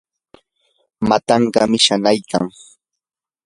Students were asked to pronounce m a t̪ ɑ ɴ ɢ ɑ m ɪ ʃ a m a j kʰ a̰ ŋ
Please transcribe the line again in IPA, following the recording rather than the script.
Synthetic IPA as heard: m a t̪ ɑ ɴ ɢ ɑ m ɪ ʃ a n a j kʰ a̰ ŋ